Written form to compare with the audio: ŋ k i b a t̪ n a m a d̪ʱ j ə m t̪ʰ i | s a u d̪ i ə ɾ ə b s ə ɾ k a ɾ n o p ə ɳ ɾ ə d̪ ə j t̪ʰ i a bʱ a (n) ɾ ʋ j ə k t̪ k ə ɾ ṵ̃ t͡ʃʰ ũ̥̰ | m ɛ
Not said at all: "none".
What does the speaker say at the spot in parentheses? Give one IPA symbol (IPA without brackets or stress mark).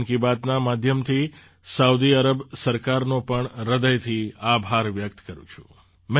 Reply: none